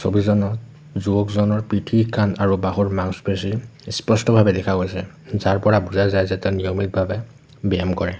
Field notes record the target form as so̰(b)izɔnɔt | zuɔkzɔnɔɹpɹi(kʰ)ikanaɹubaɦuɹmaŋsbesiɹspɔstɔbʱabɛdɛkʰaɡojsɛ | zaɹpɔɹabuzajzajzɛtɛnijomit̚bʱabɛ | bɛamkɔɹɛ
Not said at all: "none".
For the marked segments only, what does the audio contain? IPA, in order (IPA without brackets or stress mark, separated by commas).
b, tʰ